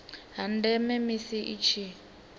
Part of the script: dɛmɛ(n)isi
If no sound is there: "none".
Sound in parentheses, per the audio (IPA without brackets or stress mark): m